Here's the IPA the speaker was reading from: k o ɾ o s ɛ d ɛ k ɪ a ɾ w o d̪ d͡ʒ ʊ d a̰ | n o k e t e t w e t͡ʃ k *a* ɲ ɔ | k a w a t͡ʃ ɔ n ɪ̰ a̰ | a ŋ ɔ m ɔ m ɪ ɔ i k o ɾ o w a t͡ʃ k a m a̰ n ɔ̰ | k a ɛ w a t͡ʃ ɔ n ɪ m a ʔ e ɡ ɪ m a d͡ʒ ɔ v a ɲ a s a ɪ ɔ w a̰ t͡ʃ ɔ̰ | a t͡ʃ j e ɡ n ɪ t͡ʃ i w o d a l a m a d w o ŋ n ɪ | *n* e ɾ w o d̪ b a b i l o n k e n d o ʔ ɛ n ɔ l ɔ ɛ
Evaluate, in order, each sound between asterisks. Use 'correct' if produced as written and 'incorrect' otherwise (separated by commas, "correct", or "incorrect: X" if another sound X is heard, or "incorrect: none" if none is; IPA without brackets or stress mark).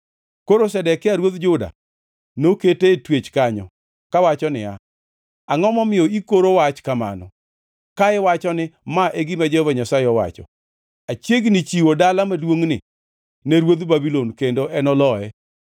correct, correct